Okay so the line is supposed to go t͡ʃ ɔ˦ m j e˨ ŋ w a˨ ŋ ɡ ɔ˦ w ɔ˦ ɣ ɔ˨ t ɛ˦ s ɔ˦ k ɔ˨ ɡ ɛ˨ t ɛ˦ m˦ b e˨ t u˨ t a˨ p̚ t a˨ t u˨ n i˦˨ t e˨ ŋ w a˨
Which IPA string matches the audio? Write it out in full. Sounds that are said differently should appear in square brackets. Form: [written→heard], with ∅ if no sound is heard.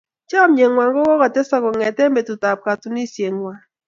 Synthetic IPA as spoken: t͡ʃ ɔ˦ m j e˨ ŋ w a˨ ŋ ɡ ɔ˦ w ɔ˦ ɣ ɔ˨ t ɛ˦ s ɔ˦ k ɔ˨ [ɡ→ŋ] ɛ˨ t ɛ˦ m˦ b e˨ t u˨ t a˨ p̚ [t→k] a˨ t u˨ n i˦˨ [t→s] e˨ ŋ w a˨